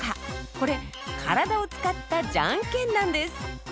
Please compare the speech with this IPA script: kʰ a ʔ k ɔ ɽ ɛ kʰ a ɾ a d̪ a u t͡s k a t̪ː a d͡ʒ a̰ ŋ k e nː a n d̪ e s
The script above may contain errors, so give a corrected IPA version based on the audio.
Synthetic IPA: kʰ a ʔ k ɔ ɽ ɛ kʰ a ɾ a d̪ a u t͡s k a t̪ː a d͡ʒ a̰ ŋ k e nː a n d̪ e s